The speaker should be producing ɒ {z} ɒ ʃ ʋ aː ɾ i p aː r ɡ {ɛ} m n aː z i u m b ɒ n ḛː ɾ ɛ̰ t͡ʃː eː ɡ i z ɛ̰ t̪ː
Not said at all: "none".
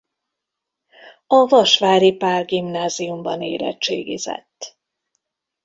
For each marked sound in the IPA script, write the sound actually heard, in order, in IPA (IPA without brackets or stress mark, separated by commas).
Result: v, i